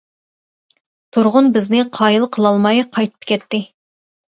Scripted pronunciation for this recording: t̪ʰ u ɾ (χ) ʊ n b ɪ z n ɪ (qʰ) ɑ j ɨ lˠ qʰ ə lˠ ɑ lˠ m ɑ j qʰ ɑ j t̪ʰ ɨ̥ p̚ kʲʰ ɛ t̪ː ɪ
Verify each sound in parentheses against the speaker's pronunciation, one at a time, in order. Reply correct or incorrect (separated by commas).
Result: incorrect, correct